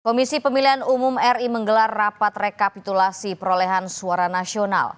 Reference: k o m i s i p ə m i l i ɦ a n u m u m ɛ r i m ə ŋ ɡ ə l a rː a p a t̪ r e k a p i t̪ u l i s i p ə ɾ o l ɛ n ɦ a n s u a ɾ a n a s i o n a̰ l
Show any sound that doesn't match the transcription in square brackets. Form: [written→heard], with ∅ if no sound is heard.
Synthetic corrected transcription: k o m i s i p ə m i l i ɦ a n u m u m ɛ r i m ə ŋ ɡ ə l a rː a p a t̪ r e k a p i t̪ u l [i→a] s i p ə ɾ o l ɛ [n→∅] ɦ a n s u a ɾ a n a s i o n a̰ l